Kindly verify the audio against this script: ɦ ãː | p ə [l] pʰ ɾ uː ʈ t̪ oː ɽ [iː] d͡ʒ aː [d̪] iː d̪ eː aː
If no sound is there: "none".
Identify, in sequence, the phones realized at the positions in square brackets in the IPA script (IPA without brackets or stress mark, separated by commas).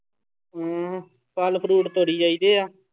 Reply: l, iː, none